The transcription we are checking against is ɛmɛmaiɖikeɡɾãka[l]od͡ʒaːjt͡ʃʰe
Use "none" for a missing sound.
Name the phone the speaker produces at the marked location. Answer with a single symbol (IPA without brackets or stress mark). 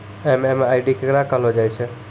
l